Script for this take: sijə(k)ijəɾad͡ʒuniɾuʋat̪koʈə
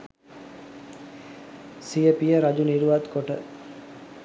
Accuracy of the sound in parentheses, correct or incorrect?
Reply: incorrect